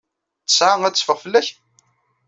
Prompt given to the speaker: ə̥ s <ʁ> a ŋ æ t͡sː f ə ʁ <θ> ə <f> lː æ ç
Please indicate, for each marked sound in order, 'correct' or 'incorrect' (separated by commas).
incorrect, incorrect, incorrect